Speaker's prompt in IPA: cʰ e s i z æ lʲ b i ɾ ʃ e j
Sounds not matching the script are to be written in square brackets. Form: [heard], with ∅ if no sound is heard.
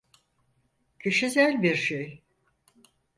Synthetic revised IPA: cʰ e [ʃ] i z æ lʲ b i ɾ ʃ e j

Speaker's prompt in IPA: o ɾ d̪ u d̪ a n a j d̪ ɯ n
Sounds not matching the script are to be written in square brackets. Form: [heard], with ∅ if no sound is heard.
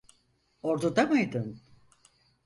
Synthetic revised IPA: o ɾ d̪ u d̪ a [m] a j d̪ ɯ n

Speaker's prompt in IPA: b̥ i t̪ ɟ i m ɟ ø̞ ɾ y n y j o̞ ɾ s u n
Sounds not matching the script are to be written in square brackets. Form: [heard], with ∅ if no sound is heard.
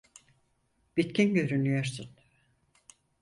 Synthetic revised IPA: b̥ i t̪ [c] i [n] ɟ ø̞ ɾ y n y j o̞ ɾ s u n

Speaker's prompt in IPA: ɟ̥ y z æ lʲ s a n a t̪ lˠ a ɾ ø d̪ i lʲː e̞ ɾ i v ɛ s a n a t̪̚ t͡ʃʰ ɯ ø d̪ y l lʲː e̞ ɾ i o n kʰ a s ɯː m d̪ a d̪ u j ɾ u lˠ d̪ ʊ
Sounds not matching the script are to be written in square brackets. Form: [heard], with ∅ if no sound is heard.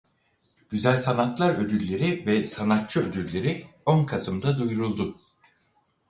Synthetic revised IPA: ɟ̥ y z æ lʲ s a n a t̪ lˠ a ɾ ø d̪ [y] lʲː e̞ ɾ i v ɛ s a n a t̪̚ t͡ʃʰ ɯ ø d̪ y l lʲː e̞ ɾ i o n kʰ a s [ɯ] m d̪ a d̪ u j ɾ u lˠ d̪ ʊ

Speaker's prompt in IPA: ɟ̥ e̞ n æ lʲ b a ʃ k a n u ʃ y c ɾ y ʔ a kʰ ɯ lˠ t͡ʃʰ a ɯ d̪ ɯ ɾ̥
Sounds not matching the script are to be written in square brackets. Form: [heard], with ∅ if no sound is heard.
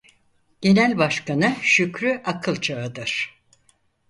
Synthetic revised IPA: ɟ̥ e̞ n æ lʲ b a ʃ k a n [ɯ] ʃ y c ɾ y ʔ a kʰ ɯ lˠ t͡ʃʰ a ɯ d̪ ɯ ɾ̥

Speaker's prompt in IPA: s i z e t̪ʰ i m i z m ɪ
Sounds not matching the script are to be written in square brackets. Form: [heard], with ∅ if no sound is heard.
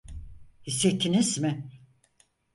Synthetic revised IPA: [h] i [s] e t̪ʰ i [n] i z m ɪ

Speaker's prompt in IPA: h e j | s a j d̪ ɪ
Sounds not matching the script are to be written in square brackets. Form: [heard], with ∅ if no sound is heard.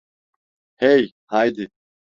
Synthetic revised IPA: h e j | [h] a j d̪ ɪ

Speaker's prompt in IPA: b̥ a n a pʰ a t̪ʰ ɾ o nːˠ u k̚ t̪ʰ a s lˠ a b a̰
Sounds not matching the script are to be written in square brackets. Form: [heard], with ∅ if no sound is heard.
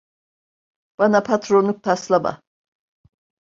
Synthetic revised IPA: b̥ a n a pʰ a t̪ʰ ɾ o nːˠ u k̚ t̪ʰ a s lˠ a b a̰

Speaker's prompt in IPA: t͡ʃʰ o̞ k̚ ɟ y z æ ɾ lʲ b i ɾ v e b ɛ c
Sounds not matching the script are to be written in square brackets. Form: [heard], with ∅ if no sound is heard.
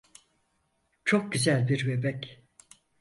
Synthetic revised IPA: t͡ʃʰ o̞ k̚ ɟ y z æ [∅] lʲ b i ɾ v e b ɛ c

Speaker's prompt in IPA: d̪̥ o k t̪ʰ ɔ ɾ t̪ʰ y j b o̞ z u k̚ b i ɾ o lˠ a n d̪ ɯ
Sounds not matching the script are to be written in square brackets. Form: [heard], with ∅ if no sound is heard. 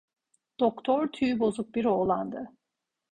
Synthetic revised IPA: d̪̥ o k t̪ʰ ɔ ɾ t̪ʰ y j b o̞ z u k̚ b i ɾ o lˠ a n d̪ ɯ

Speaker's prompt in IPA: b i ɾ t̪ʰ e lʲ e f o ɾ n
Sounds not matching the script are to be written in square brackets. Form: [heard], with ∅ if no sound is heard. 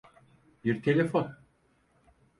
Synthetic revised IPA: b i ɾ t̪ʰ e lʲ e f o [∅] n

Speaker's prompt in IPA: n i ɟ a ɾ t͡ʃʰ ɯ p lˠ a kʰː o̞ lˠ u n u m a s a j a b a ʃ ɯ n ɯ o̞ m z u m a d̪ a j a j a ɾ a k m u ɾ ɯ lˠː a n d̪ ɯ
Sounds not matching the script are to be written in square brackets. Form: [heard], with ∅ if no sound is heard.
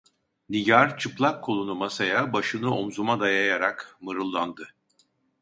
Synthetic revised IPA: n i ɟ a ɾ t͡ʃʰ ɯ p lˠ a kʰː o̞ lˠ u n u m a s a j a b a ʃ ɯ n ɯ o̞ m z u m a d̪ a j a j a ɾ a k m [ɯ] ɾ ɯ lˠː a n d̪ ɯ

